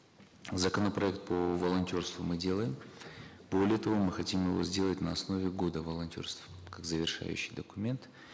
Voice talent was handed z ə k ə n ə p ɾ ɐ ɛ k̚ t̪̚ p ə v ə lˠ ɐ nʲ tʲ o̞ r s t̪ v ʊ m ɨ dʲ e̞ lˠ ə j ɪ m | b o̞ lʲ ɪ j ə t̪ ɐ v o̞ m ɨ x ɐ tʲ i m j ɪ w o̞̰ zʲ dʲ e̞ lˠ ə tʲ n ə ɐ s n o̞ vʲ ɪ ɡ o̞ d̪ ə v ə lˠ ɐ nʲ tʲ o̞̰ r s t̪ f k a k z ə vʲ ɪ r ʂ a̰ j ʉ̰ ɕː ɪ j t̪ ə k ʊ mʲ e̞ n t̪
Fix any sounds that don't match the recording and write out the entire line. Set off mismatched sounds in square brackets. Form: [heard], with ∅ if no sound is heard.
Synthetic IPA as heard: z ə k ə n ə p ɾ ɐ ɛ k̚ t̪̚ p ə v ə lˠ ɐ nʲ tʲ o̞ r s t̪ v ʊ m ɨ dʲ e̞ lˠ ə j ɪ m | b o̞ lʲ ɪ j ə t̪ ɐ v o̞ m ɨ x ɐ tʲ i m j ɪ [v] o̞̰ zʲ dʲ e̞ lˠ ə tʲ n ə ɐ s n o̞ vʲ ɪ ɡ o̞ d̪ ə v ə lˠ ɐ nʲ tʲ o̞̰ r s t̪ f k a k z ə vʲ ɪ r ʂ a̰ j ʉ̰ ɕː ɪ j [d̪] ə k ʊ mʲ e̞ n t̪